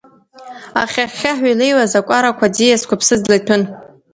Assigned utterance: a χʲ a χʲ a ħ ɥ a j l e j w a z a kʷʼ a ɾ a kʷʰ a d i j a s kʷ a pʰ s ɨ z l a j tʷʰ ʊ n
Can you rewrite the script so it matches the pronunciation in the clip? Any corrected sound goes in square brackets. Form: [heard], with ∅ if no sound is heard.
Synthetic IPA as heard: a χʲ a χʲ a ħ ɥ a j l e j w a z a kʷʼ a ɾ a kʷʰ a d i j a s kʷ a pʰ s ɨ z l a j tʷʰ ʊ n